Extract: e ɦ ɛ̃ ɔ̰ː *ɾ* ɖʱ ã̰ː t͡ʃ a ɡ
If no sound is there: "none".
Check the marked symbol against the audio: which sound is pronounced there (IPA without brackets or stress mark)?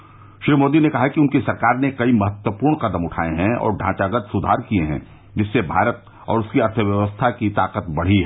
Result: ɾ